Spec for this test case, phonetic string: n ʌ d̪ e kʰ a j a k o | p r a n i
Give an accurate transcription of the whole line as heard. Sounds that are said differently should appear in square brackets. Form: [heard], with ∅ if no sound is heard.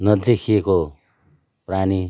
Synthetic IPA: n ʌ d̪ e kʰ [i] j [e] k o | p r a n i